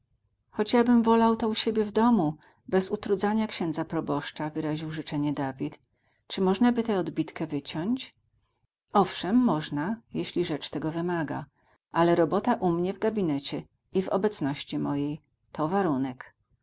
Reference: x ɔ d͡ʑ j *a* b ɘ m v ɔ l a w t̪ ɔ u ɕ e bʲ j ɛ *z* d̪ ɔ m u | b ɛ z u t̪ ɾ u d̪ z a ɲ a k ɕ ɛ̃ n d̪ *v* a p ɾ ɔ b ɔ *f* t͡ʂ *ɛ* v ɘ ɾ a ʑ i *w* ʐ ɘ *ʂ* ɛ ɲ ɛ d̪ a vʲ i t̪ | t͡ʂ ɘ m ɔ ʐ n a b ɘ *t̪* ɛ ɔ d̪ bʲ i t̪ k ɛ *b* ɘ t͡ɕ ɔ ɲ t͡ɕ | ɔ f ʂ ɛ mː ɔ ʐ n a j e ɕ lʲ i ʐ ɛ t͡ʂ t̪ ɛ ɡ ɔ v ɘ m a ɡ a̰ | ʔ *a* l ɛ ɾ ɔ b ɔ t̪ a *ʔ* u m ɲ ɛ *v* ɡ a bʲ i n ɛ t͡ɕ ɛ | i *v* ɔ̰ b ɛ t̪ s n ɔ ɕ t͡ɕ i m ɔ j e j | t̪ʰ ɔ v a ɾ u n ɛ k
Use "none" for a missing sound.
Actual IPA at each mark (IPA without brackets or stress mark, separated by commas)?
a, v, z, ʂ, a, w, t͡ʂ, t̪, v, a, ʔ, v, v